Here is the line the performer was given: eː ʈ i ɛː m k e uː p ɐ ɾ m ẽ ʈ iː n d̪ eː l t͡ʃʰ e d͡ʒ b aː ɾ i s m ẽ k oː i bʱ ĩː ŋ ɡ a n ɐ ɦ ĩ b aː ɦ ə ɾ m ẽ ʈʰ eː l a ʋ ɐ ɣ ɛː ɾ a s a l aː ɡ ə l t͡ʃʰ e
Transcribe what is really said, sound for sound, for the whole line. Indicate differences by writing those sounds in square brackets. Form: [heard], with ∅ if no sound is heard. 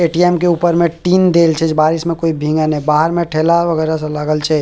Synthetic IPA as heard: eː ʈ i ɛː m k e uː p [ə] ɾ m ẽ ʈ iː n d̪ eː l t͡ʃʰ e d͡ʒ b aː ɾ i s m ẽ k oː i bʱ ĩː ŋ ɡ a n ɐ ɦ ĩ b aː ɦ ə ɾ m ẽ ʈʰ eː l a ʋ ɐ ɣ ɛː ɾ a s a l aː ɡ ə l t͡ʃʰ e